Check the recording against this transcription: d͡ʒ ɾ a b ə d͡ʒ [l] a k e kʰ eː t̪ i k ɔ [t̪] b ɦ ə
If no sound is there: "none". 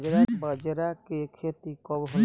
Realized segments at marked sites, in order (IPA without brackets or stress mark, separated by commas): ɾ, none